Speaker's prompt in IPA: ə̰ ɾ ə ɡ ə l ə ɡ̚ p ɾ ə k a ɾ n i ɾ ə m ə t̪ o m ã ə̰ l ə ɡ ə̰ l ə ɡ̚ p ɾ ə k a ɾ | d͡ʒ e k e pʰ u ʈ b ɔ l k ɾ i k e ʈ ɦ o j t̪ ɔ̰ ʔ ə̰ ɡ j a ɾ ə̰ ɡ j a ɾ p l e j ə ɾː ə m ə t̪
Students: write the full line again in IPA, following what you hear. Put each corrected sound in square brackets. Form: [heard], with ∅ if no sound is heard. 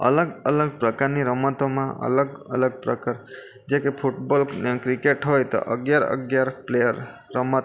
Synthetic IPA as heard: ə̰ [l] ə ɡ ə l ə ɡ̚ p ɾ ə k a ɾ n i ɾ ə m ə t̪ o m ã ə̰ l ə ɡ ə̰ l ə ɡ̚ p ɾ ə k a ɾ | d͡ʒ e k e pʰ u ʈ b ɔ l k ɾ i k e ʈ ɦ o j t̪ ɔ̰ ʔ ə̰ ɡ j a ɾ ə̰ ɡ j a ɾ p l e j ə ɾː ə m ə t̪